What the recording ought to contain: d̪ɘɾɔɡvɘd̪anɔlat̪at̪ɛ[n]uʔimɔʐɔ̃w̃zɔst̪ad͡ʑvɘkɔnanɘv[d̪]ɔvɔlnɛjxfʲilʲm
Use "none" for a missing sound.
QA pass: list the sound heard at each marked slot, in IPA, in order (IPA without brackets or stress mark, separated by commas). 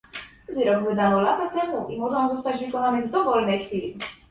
m, d̪